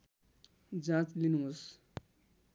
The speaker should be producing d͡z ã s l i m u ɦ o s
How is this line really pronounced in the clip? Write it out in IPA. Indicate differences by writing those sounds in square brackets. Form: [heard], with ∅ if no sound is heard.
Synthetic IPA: d͡z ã [t͡s] l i [n] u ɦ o s